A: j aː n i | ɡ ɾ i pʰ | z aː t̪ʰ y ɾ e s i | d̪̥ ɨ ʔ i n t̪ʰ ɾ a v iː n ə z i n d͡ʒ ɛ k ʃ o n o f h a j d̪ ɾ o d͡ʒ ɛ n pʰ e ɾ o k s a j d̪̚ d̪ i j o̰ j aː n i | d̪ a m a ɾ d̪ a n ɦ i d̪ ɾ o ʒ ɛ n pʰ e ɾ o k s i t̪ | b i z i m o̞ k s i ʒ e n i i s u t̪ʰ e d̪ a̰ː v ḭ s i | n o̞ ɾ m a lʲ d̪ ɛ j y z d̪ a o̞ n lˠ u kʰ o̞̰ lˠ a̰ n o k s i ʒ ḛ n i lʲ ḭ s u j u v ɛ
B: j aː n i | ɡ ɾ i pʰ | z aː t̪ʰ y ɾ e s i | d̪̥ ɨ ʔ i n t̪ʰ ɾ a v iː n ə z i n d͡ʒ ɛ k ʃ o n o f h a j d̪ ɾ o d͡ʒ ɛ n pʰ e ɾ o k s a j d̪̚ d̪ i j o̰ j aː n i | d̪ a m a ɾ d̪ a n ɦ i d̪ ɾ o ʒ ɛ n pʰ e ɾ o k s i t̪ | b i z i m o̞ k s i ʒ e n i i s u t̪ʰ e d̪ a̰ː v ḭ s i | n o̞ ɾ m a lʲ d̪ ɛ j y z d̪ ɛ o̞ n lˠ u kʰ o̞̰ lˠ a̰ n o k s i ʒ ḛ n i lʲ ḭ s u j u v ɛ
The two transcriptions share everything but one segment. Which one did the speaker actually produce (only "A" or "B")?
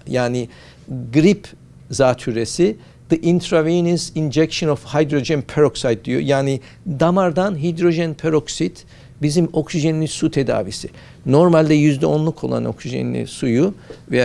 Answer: B